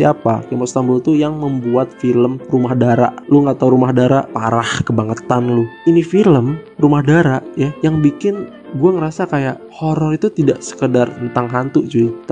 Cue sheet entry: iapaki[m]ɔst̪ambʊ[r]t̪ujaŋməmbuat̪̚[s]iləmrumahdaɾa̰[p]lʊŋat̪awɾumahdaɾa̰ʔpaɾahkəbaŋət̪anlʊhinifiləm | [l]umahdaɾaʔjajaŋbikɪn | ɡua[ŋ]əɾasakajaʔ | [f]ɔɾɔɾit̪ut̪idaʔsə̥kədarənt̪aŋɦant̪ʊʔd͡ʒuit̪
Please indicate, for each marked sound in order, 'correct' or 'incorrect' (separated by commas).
correct, incorrect, incorrect, incorrect, incorrect, correct, incorrect